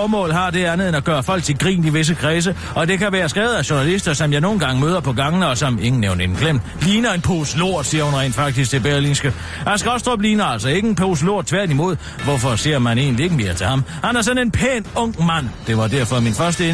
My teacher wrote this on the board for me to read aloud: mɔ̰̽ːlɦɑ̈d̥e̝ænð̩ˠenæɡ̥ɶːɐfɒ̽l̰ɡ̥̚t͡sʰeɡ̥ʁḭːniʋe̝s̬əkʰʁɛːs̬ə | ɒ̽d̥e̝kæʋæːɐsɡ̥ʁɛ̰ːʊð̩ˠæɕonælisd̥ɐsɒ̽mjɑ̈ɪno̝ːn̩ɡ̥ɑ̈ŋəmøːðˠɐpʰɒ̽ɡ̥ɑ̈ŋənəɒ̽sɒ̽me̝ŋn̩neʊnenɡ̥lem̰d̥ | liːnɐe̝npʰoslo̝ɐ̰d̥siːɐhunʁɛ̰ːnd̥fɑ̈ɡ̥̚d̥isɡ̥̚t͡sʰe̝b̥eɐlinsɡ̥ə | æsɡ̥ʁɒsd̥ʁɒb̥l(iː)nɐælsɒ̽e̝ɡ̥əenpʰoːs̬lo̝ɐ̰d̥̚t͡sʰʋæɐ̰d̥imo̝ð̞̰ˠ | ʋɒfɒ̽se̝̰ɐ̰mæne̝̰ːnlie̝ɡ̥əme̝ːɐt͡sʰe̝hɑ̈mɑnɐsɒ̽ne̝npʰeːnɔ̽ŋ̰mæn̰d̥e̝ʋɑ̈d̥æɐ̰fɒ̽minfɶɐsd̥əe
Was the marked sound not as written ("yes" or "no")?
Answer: no